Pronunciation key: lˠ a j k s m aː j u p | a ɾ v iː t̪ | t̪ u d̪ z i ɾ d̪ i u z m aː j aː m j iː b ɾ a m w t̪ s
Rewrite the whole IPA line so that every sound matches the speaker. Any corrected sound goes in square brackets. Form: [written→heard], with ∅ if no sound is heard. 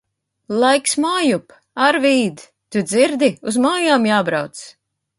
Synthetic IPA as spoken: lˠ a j k s m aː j u p | a ɾ v iː [t̪→d̪] | t̪ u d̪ z i ɾ d̪ i u z m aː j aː m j [iː→aː] b ɾ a [m→∅] w t̪ s